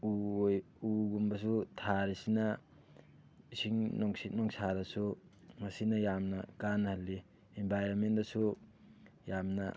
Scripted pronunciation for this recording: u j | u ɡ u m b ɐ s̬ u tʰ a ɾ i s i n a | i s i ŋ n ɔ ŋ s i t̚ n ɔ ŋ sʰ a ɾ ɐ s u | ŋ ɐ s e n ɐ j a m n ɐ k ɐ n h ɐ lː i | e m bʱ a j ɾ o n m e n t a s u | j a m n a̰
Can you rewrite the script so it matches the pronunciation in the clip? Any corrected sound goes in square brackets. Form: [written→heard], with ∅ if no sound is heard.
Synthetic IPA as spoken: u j | u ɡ u m b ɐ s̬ u tʰ a ɾ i s i n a | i s i ŋ n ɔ ŋ s i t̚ n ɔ ŋ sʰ a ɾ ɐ s u | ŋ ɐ s [e→i] n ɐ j a m n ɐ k [ɐ→a] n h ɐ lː i | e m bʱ a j ɾ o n m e n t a s u | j a m n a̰